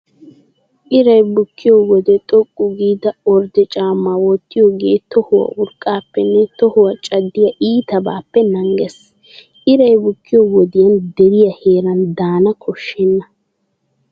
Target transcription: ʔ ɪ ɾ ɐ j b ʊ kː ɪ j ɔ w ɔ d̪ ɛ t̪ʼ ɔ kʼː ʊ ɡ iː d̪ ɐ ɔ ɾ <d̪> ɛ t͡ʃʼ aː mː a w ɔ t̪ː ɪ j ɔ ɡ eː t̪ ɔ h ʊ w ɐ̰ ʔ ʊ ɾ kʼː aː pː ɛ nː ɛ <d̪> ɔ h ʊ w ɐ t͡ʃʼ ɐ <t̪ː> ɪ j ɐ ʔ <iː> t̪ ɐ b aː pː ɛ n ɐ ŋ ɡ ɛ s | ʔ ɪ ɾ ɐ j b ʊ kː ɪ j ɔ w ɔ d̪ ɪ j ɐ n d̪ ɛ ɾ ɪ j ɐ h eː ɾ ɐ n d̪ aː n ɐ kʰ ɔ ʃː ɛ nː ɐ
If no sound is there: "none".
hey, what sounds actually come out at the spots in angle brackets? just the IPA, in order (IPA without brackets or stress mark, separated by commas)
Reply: d̪, t̪, d̪ː, iː